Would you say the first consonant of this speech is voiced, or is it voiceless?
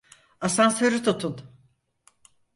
voiceless